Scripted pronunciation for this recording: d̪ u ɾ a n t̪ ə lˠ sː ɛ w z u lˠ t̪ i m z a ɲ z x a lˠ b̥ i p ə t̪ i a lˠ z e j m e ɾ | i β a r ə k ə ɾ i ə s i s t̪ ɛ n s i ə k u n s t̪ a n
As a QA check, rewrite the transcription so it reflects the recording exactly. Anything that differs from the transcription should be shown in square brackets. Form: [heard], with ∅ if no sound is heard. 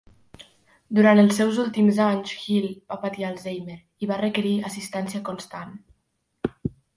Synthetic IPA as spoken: d̪ u ɾ a n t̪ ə lˠ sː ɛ w z u lˠ t̪ i m z a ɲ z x [i] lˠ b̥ [a] p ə t̪ i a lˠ z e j m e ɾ | i β a r ə k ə ɾ i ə s i s t̪ ɛ n s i ə k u n s t̪ a n